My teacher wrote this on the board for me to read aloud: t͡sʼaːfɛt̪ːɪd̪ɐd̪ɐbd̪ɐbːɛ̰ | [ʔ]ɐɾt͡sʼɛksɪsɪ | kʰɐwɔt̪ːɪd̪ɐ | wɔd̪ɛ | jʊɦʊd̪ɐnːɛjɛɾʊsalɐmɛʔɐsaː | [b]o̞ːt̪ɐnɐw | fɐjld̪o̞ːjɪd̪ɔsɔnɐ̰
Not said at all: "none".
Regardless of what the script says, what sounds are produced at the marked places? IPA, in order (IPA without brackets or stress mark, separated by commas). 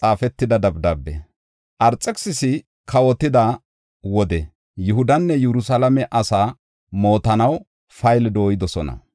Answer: ʔ, m